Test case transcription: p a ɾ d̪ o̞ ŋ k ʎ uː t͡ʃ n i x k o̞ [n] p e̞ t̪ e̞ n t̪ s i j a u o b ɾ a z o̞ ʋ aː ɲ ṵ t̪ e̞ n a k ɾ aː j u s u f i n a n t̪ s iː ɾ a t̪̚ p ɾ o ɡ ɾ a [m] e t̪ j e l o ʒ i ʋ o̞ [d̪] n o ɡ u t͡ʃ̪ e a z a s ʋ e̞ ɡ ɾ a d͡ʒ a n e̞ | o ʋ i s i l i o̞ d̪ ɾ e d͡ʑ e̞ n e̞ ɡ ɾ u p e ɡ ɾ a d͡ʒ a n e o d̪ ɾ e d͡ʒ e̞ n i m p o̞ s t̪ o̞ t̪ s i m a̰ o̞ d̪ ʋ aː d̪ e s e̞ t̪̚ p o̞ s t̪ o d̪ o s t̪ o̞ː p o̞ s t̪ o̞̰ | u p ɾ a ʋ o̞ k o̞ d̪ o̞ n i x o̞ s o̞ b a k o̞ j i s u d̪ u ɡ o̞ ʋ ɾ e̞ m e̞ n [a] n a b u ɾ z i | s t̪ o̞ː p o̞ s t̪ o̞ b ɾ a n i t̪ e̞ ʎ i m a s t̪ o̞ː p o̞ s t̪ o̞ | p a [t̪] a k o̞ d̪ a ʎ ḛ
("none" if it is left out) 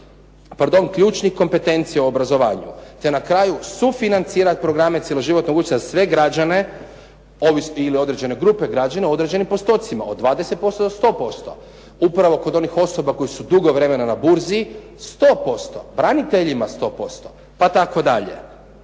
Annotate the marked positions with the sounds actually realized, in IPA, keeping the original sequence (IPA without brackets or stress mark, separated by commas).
m, m, t̪, a, t̪